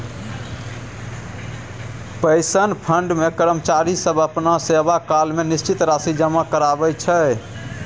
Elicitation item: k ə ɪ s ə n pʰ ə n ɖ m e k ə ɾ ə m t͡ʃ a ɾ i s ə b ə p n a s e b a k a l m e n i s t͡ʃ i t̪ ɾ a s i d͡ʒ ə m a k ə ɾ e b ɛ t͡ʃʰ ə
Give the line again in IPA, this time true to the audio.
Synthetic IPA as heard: p ə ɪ s ə n pʰ ə ɳ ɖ m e k ə ɾ ə m t͡ʃ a ɾ i s ə b ə p n a s e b a k a l m e n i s t͡ʃ i t̪ ɾ a s i d͡ʒ ə m a k ə ɾ a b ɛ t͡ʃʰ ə